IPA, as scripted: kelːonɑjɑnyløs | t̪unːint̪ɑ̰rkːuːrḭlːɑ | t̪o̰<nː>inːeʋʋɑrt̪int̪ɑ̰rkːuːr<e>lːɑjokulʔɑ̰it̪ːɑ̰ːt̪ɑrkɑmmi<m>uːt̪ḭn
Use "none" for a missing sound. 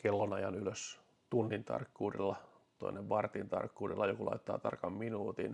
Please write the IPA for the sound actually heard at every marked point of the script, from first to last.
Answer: none, i, n

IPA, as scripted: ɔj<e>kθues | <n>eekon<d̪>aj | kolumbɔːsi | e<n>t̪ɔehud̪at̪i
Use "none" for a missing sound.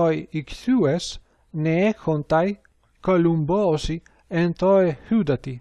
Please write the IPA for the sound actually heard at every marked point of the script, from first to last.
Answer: i, n, t̪, n

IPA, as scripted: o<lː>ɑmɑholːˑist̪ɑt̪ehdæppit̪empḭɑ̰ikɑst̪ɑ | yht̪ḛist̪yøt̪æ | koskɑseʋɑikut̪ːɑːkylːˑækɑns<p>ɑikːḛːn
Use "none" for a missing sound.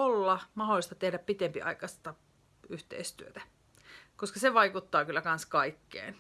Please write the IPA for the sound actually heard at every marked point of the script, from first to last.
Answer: lː, k

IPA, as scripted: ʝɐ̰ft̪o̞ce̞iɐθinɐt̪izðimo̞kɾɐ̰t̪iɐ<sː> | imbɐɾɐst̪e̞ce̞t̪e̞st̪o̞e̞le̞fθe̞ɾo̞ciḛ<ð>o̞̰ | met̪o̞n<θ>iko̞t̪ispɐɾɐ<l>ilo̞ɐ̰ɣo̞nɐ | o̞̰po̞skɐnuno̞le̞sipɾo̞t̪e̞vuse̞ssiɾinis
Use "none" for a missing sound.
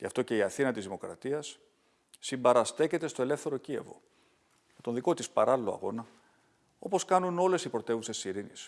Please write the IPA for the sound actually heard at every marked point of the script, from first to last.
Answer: sː, v, ð, l

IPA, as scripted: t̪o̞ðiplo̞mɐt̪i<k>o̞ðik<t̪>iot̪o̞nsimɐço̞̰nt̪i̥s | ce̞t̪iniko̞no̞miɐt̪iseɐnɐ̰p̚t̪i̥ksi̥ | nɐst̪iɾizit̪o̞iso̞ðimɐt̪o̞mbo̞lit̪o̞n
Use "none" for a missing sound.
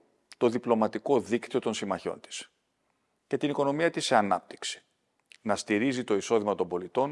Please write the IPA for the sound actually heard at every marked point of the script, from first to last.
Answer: k, t̪

